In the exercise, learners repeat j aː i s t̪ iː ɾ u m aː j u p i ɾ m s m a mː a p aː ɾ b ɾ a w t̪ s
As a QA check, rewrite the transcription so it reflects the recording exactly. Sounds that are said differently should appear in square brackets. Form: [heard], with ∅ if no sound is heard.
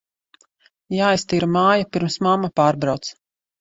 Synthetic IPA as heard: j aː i s t̪ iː ɾ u m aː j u p i ɾ m s m a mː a p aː ɾ b ɾ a w t̪ s